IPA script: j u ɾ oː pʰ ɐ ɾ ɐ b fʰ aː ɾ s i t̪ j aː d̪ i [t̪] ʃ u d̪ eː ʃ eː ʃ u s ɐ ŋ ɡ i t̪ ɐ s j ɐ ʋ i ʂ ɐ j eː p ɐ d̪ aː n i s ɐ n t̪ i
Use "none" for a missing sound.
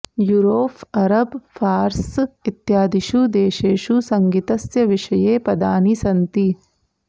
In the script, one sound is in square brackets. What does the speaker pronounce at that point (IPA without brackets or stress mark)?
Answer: none